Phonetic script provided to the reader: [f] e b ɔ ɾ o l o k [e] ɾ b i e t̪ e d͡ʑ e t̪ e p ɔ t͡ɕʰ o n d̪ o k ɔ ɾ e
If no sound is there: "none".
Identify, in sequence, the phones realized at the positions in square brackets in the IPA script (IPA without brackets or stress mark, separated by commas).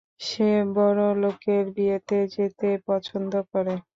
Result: ʃ, e